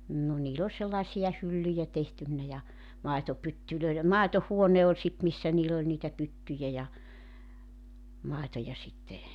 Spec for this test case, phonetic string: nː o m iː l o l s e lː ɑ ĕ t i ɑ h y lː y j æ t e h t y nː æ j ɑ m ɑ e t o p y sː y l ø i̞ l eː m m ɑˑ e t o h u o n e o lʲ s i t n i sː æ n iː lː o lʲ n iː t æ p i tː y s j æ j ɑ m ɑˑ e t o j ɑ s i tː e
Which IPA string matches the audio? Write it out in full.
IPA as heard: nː o n iː l o l s e lː ɑ ĕ s i ɑ h y lː y j æ t e h t y nː æ j ɑ m ɑ e t o p y tː y l ø i̞ l e m m ɑˑ e t o h u o n e o lʲ s i t m i sː æ n iː lː o lʲ n iː t æ p y tː y j æ j ɑ m ɑˑ e t o j ɑ s i tː e

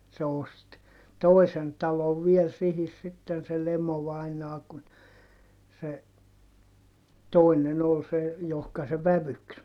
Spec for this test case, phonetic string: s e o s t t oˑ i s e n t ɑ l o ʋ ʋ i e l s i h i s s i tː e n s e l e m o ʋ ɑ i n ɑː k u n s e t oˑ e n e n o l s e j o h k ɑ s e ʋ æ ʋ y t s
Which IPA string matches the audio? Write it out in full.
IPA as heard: s e o s t t oˑ i s e n t ɑ l o ʋ ʋ i e l s i h i s s i tː e n s e l e m o ʋ ɑ i n ɑː k u n s e t oˑ i n e n o l s e j o h k ɑ s e ʋ æ ʋ y k s

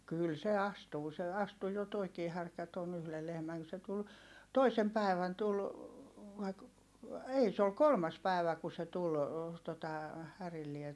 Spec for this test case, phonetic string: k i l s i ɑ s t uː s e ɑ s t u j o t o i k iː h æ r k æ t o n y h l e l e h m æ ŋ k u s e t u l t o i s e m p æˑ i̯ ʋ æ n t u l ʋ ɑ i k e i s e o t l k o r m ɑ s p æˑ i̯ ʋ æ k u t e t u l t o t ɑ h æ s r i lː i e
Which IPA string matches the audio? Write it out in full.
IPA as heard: k y l s e ɑ s t uː s e ɑ s t u j o t o i k iː h æ r k æ t o n y h l e l e h m æ ŋ k u s e t u l t o i s e m p æˑ i̯ ʋ æ n t u l ʋ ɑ i k e i s e o l k o l m ɑ s p æˑ i̯ ʋ æ k u s e t u l t o t ɑ h æ r i lː i e

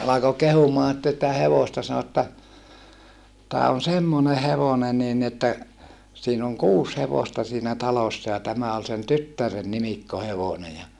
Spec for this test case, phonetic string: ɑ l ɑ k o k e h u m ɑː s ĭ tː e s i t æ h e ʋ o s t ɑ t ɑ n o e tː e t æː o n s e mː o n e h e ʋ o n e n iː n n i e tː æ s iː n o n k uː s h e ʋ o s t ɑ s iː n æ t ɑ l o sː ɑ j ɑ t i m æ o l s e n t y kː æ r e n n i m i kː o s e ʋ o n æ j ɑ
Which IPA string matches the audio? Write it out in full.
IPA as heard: ɑ l ɑ k o k e h u m ɑː s ĭ tː e s i t æ h e ʋ o s t ɑ s ɑ n o e tː æ t æː o n s e mː o n e h e ʋ o n e n iː n n i e tː æ s iː n o ŋ k uː s h e ʋ o s t ɑ s iː n æ t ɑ l o sː ɑ j ɑ t æ m æ o l s e n t y tː æ r e n n i m i kː o h e ʋ o n e j ɑ

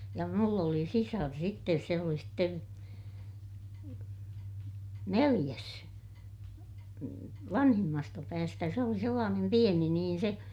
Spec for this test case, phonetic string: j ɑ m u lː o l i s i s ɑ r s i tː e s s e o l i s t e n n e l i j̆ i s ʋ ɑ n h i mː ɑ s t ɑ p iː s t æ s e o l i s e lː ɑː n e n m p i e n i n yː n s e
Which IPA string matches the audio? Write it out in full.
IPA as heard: j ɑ m u lː o l i s i s ɑ r s i tː e s s e o l i s t e n n e l i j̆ æ s ʋ ɑ n h i mː ɑ s t ɑ p æː s t æ s e o l i s e lː ɑː n e m p i e n i n iː n s e

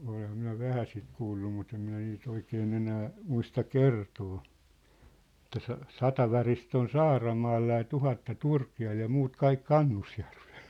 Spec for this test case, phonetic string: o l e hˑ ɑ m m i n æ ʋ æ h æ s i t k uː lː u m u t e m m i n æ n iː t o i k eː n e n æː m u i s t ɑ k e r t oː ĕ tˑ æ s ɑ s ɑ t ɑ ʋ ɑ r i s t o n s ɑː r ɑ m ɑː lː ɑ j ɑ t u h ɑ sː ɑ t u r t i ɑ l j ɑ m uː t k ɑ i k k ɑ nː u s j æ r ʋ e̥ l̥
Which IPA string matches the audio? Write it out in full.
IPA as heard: o l e hˑ ɑ m m i n æ ʋ æ h æ s i t k uː lː u m u t e m m i n æ n iː t o i k eː n e n æː m u i s t ɑ k e r t oː ĕ tˑ æ s ɑ s ɑ t ɑ ʋ ɑ r i s t o n s ɑː r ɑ m ɑː lː ɑ j ɑ t u h ɑ tː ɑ t u r k i ɑ l j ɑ m uː t k ɑ i k k ɑ nː u s j æ r ʋ e̥ l̥

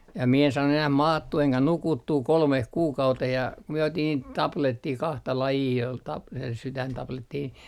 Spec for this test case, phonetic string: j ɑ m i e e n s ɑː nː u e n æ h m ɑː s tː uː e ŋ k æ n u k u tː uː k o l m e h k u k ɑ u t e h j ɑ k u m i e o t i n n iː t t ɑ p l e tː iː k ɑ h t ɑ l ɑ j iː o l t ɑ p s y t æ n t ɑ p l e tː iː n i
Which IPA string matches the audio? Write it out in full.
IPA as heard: j ɑ m i e e n s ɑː nː u e n æ h m ɑː tː uː e ŋ k æ n u k u tː uː k o l m e h k uː k ɑ u t e h j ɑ k u m i e o t i n n iː t t ɑ p l e tː iː k ɑ h t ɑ l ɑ j iː o l t ɑ p s y t æ n t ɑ p l e tː iː n i

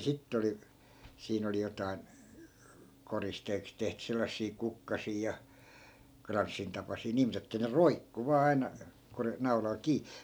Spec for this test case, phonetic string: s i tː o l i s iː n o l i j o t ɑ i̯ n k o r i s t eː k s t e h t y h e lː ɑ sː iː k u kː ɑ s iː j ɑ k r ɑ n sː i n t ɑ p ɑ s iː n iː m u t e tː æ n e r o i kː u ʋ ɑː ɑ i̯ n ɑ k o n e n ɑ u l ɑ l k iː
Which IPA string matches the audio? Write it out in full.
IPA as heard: s i tː o l i s iː n o l i j o t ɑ i̯ n k o r i s t eː k s t e h t y s e lː ɑ sː iː k u kː ɑ s iː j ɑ k r ɑ n sː i n t ɑ p ɑ s iː n iː m u t e tː æ n e r o i kː u ʋ ɑː ɑ i̯ n ɑ k o n e n ɑ u l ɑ l k iː

